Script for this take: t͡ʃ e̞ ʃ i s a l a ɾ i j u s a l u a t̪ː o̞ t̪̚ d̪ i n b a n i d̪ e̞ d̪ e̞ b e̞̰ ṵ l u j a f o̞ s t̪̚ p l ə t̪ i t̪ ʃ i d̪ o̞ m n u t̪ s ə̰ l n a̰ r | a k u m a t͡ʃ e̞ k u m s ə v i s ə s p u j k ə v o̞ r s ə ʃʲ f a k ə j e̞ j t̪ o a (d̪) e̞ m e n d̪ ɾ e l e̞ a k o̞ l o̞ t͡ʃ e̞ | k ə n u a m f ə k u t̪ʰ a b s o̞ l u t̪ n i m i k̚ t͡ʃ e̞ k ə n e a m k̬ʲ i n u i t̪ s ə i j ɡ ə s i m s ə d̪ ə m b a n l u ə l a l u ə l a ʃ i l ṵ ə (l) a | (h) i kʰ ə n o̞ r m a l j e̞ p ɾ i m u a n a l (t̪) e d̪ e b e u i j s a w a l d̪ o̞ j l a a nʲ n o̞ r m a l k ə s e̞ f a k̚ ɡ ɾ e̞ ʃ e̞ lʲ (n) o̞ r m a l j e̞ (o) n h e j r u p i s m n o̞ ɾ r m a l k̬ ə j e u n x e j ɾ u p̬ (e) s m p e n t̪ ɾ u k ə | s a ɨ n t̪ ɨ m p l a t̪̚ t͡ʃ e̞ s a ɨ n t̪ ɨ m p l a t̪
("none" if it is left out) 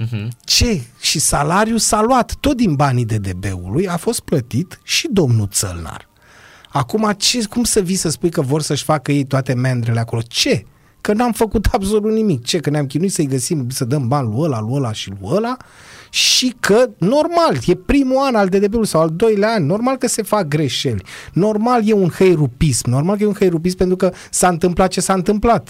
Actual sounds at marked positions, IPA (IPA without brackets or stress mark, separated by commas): t̪, l, ʃ, d̪, n, u, i